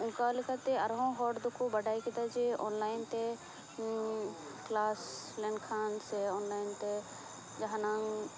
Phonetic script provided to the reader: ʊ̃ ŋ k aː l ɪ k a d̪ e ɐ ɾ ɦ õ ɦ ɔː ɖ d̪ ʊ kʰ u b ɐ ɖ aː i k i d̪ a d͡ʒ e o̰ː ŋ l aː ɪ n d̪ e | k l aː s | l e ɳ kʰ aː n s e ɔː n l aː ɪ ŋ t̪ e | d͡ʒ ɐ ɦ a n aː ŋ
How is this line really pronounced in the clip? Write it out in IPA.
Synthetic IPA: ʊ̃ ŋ k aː l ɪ k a t̪ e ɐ ɾ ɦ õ ɦ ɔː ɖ d̪ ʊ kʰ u b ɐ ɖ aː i k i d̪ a d͡ʒ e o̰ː n l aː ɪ n t̪ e | k l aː s | l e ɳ kʰ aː n s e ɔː n l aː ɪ n t̪ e | d͡ʒ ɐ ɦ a n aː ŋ